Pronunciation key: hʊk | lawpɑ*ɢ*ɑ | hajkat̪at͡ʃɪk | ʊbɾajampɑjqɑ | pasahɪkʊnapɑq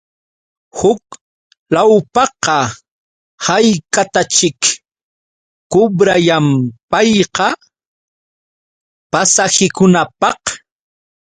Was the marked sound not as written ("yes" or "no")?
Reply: yes